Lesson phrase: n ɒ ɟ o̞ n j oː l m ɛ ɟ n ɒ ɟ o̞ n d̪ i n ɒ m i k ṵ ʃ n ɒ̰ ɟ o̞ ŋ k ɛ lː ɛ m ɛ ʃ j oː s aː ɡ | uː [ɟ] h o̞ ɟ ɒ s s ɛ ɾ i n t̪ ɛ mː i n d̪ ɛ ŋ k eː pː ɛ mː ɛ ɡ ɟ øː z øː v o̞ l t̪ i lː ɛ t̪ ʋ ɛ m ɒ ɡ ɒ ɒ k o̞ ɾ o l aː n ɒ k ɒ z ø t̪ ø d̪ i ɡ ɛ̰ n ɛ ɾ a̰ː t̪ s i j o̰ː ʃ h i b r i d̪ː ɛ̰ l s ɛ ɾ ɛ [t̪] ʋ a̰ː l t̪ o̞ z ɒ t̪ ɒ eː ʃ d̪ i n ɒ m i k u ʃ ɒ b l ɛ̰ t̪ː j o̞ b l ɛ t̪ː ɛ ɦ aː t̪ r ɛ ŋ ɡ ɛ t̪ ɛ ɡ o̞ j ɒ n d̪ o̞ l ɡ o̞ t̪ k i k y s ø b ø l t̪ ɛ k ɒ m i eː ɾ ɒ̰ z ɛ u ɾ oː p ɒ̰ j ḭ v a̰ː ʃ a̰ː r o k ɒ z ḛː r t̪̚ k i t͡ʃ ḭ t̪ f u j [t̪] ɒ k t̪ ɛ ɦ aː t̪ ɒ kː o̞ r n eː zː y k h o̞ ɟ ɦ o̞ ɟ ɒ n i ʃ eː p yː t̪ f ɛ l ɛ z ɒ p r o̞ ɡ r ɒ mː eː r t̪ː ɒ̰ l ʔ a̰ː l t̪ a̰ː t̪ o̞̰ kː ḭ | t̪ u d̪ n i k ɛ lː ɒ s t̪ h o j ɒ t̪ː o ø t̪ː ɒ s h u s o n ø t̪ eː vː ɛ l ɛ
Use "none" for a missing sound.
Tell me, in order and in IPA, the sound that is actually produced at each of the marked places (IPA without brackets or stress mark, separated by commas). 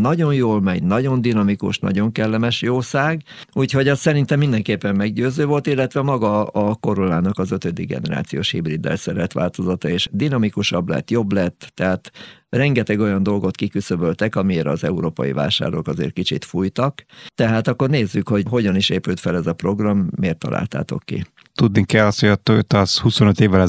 c, t̪, t̪